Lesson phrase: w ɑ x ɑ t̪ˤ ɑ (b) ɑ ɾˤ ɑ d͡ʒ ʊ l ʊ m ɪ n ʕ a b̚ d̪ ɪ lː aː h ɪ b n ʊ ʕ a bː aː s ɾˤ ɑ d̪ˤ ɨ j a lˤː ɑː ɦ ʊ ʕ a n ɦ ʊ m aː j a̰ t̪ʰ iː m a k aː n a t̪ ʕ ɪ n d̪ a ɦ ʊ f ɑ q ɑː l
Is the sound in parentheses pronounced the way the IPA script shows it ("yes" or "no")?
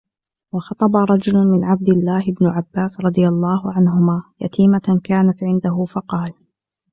yes